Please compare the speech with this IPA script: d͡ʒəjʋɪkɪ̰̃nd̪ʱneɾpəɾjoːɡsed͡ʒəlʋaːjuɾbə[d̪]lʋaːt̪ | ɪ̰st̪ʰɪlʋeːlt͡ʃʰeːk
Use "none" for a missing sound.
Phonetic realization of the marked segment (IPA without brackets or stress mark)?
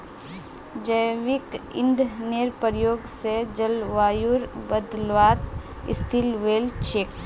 d̪